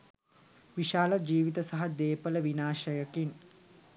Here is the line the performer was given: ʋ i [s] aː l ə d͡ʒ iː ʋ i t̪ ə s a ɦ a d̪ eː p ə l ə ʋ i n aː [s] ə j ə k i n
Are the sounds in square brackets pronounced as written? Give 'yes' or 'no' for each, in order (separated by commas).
no, no